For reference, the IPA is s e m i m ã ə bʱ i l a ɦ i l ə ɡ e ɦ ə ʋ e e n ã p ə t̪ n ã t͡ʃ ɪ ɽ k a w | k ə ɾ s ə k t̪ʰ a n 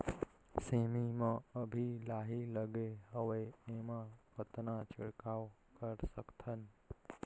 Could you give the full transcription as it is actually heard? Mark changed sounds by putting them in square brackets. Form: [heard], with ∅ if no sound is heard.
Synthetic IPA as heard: s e m i m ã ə bʱ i l a ɦ i l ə ɡ e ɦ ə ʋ e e [m] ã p ə t̪ n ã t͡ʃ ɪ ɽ k a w | k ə ɾ s ə k t̪ʰ [ə] n